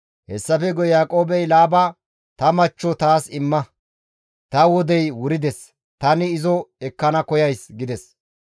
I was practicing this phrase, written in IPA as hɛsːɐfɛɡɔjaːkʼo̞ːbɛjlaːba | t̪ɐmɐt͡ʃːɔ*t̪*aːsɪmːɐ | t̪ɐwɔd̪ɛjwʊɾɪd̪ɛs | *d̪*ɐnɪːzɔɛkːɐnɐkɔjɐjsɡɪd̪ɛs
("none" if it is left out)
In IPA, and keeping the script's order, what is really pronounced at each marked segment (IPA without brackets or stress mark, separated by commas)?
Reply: t̪, t̪